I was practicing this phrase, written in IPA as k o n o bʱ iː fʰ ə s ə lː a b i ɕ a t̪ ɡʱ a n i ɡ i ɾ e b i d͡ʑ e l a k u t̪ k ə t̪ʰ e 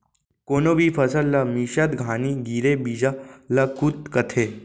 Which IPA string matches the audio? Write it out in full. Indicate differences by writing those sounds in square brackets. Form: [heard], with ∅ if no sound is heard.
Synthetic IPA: k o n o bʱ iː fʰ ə s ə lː a [m] i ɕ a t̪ ɡʱ a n i ɡ i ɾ e b i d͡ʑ [a] l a k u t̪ k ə t̪ʰ e